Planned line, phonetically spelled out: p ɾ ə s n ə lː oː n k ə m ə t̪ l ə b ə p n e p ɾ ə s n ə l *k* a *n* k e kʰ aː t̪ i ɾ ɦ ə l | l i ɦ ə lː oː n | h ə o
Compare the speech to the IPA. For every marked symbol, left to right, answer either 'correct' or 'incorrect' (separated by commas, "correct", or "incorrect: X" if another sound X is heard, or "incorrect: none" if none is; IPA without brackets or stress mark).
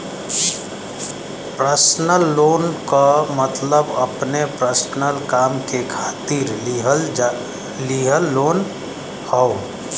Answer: correct, incorrect: m